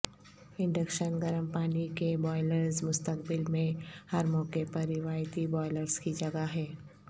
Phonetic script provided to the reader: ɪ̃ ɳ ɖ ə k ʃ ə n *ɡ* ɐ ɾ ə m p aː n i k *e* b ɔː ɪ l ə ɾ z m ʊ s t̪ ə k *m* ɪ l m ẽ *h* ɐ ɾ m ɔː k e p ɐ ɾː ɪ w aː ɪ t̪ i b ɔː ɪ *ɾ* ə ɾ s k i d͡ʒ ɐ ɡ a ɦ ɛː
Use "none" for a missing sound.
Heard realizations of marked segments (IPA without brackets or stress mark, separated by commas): ɡ, e, b, h, l